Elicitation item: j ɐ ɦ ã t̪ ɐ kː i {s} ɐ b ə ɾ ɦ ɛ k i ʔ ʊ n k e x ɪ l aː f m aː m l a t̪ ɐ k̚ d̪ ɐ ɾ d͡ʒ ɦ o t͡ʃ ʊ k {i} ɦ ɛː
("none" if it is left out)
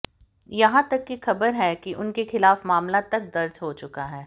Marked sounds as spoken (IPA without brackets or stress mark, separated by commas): x, a